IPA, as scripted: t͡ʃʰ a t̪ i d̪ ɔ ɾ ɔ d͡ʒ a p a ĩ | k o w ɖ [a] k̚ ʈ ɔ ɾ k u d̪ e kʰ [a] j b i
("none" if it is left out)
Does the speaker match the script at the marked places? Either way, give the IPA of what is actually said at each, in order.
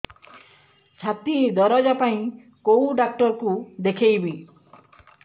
a, e

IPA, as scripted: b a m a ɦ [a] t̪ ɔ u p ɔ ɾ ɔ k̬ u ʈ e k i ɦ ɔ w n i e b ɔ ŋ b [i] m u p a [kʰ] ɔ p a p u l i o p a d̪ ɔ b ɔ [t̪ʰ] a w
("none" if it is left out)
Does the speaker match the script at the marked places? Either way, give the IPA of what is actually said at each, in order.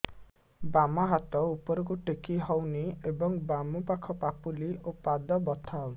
a, a, kʰ, t̪ʰ

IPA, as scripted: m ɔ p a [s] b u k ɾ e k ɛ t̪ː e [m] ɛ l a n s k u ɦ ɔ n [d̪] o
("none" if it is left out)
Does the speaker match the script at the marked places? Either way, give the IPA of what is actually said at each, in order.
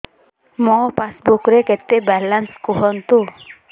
s, b, t̪

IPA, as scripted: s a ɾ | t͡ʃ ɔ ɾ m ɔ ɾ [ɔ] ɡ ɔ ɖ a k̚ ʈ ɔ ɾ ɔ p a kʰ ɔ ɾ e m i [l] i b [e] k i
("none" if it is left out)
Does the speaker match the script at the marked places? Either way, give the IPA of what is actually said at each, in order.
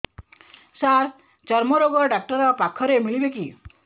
o, ɭ, e

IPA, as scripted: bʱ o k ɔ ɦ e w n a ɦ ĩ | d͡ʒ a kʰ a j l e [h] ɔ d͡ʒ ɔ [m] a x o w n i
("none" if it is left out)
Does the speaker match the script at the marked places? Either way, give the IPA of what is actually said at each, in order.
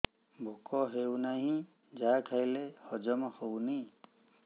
h, m

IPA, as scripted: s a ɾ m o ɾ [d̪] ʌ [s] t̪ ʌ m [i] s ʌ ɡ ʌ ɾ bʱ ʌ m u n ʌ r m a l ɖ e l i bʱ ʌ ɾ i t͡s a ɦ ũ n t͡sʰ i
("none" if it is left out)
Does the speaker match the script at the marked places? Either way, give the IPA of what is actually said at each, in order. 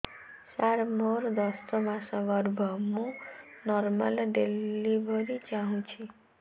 d̪, s, a

